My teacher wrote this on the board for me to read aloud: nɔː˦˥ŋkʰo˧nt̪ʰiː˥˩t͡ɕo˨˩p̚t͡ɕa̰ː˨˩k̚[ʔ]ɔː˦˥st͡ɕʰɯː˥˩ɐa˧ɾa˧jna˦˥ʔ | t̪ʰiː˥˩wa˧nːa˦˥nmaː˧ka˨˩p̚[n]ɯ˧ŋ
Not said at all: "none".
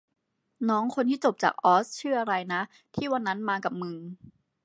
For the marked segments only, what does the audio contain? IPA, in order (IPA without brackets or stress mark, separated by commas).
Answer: ʔ, m